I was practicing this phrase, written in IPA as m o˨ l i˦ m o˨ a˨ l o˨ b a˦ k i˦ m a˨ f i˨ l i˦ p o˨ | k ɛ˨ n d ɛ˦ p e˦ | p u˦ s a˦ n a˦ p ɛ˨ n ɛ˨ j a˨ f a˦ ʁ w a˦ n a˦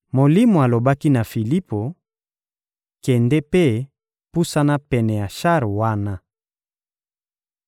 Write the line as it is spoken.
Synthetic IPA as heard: m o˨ l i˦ m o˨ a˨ l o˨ b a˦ k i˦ n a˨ f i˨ l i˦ p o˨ | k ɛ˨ n d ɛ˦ p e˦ | p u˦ s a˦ n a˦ p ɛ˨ n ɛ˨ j a˨ ʃ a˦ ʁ w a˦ n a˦